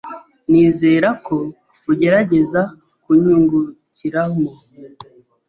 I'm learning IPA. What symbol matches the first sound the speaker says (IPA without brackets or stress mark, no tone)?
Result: n